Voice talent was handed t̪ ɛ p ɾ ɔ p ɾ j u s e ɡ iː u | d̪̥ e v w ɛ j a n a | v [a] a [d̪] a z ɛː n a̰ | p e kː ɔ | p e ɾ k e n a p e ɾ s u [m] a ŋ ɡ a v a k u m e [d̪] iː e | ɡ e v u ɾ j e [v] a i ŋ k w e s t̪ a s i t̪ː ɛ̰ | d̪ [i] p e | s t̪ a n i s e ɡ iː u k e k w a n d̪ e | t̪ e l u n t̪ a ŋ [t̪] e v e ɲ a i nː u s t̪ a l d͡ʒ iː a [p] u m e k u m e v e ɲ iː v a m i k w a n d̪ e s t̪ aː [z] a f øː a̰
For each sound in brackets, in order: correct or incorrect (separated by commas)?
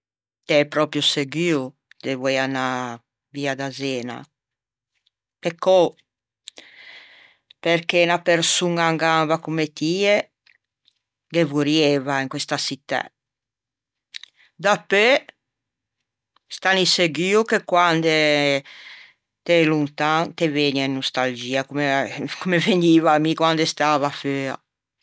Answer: incorrect, correct, incorrect, incorrect, correct, incorrect, correct, incorrect, incorrect